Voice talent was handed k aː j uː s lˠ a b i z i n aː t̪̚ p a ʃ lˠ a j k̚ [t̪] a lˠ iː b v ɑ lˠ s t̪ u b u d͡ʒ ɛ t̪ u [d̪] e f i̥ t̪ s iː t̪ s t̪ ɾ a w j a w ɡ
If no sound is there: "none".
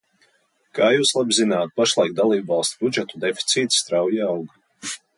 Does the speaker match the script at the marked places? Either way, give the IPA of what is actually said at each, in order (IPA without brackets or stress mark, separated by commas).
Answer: d̪, d̪